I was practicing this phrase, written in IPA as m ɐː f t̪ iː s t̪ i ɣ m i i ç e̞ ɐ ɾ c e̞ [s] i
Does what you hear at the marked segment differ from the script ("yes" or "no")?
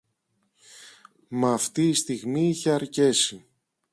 no